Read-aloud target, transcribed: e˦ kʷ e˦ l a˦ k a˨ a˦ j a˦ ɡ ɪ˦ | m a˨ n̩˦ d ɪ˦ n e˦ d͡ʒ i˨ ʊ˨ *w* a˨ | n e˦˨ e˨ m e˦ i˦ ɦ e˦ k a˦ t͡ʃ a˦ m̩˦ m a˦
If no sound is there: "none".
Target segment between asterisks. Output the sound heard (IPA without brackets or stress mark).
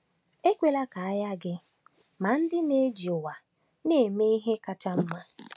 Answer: w